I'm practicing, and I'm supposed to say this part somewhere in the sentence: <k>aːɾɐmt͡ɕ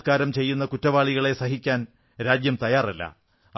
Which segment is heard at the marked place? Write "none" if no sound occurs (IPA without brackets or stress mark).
k